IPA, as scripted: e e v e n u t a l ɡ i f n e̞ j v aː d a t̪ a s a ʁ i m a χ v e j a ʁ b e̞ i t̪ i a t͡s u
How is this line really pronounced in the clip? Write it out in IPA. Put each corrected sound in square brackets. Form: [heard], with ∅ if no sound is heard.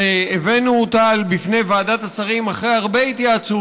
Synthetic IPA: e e v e n u t a l [b] i f n e̞ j v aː d a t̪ a s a ʁ i m a χ [ʁ] e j a ʁ b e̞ i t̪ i a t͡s u